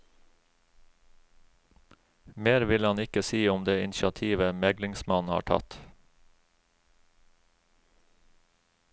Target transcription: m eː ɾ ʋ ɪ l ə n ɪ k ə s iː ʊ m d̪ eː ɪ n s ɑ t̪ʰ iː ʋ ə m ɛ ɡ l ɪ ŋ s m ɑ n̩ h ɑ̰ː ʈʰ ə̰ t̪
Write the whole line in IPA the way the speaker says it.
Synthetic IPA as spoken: m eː ɾ ʋ ɪ l ɑ n ɪ k ə s iː ʊ m d̪ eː ɪ n ʃ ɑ t̪ʰ iː ʋ ə m ɛ ɡ l ɪ ŋ s m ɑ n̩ h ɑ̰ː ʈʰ ɑ̰ t̪

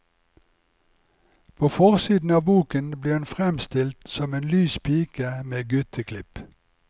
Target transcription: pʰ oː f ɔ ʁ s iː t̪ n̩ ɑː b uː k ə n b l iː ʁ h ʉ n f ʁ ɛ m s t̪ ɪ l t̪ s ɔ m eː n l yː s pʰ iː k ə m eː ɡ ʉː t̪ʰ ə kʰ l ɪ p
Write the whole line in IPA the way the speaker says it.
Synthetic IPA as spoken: pʰ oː f ɔ ʁ s iː d̪ n̩ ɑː b uː k ə n b l iː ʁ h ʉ n f ʁ ɛ m s t̪ ɪ l t̪ s ɔ m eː n l yː s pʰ iː k ə m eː ɡ ʉ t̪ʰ ə kʰ l ɪ p

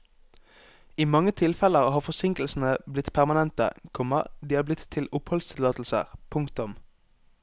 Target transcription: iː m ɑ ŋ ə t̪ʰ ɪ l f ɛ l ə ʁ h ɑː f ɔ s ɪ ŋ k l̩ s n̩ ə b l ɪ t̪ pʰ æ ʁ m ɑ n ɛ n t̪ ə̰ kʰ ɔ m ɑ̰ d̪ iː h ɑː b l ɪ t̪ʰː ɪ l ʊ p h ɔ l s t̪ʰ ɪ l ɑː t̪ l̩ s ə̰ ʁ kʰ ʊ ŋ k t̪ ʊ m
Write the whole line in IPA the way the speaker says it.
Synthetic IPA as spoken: iː m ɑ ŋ ə t̪ʰ ɪ l f ɛ l ə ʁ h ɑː f ɔ s ɪ ŋ k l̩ s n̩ ə b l ɪ t̪ pʰ æ ʁ m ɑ n ɛ n t̪ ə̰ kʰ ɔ m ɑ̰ d̪ iː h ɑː b l ɪ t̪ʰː ɪ l ʊ p h ɔ l s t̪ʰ ɪ l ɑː t̪ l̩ s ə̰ ʁ pʰ ʊ ŋ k t̪ ʊ m

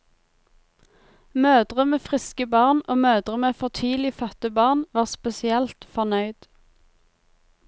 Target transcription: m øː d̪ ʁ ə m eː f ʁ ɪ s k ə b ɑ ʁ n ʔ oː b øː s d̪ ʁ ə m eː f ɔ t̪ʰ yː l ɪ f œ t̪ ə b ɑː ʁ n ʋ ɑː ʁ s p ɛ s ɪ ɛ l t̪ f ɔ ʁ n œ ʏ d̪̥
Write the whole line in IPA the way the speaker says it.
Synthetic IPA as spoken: m øː d̪ ʁ ə m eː f ʁ ɪ s k ə b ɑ ʁ n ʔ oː m øː d̪ ʁ ə m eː f ɔ t̪ʰ yː l ɪ f œ t̪ ə b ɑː ʁ n ʋ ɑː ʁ s p ɛ s ɪ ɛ l t̪ f ɔ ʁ n œ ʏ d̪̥

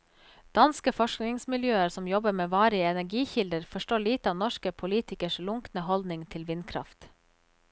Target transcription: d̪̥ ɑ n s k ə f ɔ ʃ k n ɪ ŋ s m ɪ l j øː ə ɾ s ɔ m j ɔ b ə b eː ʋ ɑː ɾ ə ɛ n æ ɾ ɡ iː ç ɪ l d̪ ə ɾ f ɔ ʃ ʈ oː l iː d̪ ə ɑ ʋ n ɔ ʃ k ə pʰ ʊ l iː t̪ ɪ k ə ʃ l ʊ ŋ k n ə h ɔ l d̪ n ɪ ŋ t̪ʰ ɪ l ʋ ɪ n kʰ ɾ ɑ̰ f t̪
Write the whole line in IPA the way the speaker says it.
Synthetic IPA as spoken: d̪̥ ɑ n s k ə f ɔ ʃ k n ɪ ŋ s m ɪ l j øː ə ɾ s ɔ m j ɔ b ə m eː ʋ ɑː ɾ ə ɛ n æ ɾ ɡ iː ç ɪ l d̪ ə ɾ f ɔ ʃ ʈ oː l iː t̪ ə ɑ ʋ n ɔ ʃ k ə pʰ ʊ l iː t̪ ɪ k ə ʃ l ʊ ŋ k n ə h ɔ l d̪ n ɪ ŋ t̪ʰ ɪ l ʋ ɪ n kʰ ɾ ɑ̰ f t̪

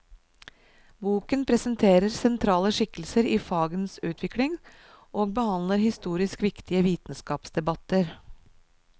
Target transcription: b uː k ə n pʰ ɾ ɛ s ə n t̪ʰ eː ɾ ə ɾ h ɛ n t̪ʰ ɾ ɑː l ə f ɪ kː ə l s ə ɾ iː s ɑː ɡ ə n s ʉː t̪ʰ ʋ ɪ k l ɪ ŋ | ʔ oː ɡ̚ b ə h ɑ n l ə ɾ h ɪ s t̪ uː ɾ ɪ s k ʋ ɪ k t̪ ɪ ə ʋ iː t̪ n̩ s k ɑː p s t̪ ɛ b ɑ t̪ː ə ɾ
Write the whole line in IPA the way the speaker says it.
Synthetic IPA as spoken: b uː k ə n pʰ ɾ ɛ s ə n t̪ʰ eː ɾ ə ɾ s ɛ n t̪ʰ ɾ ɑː l ə ʂ ɪ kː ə l s ə ɾ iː f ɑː ɡ ə n s ʉː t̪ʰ ʋ ɪ k l ɪ ŋ | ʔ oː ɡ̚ b ə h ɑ n l ə ɾ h ɪ s t̪ uː ɾ ɪ s k ʋ ɪ k t̪ ɪ ə ʋ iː t̪ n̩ s k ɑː p s d̪ ɛ b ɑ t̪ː ə ɾ

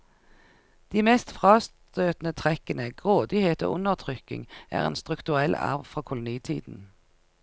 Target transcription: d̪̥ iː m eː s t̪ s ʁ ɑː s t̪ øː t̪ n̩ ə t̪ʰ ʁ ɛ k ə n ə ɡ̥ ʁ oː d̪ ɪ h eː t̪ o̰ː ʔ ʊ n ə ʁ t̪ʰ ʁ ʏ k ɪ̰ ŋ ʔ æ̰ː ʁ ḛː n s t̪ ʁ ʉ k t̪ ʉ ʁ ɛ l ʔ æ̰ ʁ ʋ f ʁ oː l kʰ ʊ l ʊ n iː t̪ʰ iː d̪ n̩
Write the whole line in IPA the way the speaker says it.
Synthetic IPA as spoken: d̪̥ iː m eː s t̪ f ʁ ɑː s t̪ øː t̪ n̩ ə t̪ʰ ʁ ɛ k ə n ə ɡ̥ ʁ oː d̪ ɪ h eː t̪ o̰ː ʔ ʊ n ə ʁ t̪ʰ ʁ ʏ k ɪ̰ ŋ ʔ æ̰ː ʁ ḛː n s t̪ ʁ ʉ k t̪ ʉ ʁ ɛ l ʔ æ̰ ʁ ʋ f ʁ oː kʰ ʊ l ʊ n iː t̪ʰ iː d̪ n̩

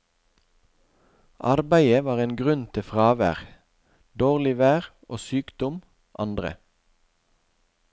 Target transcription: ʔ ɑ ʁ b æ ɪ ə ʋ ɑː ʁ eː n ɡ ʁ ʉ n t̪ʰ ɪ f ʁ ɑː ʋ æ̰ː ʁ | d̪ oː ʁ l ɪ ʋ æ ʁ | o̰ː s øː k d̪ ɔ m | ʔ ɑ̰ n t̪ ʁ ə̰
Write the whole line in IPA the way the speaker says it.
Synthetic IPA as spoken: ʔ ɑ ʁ b æ ɪ ə ʋ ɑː ʁ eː n ɡ ʁ ʉ n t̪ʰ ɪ f ʁ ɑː ʋ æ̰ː ʁ | d̪ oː ʁ l ɪ ʋ æː ʁ | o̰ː s yː k d̪ ɔ m | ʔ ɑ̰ n d̪ ʁ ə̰

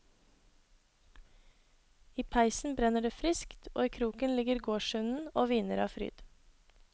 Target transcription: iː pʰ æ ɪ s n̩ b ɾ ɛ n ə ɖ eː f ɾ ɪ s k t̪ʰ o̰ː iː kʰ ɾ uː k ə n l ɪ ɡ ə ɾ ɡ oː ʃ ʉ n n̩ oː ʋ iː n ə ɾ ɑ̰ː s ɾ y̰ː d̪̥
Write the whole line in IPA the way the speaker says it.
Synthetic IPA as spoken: iː pʰ æ ɪ s n̩ b ɾ ɛ n ə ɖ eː f ɾ ɪ s k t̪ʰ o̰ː iː kʰ ɾ uː k ə n l ɪ ɡ ə ɾ ɡ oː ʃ ʉ n n̩ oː ʋ iː n ə ɾ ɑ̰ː f ɾ y̰ː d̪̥

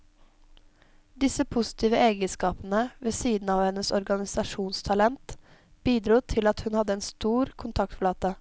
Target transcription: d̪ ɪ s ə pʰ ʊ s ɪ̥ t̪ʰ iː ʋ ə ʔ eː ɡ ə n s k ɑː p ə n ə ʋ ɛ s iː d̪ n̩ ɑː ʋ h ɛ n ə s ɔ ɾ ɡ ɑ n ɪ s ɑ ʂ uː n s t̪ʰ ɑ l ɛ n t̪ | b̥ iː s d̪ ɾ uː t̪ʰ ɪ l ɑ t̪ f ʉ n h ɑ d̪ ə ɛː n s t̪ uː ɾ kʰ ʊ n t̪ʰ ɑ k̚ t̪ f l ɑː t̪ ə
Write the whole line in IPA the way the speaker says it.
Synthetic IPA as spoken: d̪ ɪ s ə pʰ ʊ s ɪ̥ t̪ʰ iː ʋ ə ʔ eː ɡ ə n s k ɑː p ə n ə ʋ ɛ s iː d̪ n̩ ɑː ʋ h ɛ n ə s ɔ ɾ ɡ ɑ n ɪ s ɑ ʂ uː n s t̪ʰ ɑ l ɛ n t̪ | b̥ iː d̪ ɾ uː t̪ʰ ɪ l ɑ t̪ h ʉ n h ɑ d̪ ə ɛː n s t̪ uː ɾ kʰ ʊ n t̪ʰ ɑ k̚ t̪ f l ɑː t̪ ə

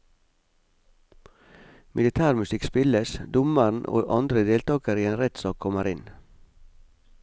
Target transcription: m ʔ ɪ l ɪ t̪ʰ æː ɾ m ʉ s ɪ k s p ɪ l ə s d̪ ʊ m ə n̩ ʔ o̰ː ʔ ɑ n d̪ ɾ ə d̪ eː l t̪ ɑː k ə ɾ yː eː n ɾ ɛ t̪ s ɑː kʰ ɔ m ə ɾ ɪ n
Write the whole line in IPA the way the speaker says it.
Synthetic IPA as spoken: m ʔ ɪ l ɪ t̪ʰ æː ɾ m ʉ s ɪ k s p ɪ l ə s d̪ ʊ m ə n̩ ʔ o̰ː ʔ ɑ n d̪ ɾ ə d̪ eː l t̪ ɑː k ə ɾ iː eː n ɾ ɛ t̪ s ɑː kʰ ɔ m ə ɾ ɪ n

